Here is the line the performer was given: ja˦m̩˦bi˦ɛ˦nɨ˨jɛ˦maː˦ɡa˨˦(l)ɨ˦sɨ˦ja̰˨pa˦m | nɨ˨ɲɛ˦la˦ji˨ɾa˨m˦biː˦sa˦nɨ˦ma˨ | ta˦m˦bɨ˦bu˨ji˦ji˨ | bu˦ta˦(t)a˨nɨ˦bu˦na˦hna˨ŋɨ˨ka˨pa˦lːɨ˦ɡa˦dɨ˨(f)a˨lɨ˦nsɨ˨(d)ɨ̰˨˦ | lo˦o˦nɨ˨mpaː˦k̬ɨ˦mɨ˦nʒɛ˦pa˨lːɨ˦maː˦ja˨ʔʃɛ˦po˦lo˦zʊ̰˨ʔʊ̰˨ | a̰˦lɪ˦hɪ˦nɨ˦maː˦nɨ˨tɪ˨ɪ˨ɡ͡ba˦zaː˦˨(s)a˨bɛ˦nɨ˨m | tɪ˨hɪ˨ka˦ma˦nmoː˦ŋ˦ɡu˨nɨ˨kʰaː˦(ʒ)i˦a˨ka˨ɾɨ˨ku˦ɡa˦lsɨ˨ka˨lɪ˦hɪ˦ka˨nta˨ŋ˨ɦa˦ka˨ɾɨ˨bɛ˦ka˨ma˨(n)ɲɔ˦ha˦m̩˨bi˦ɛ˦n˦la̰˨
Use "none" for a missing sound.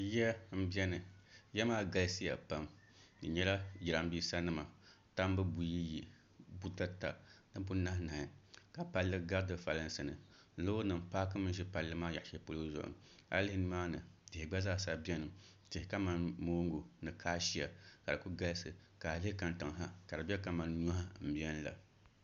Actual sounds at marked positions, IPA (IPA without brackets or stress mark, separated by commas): l, t, f, n, s, ʃ, n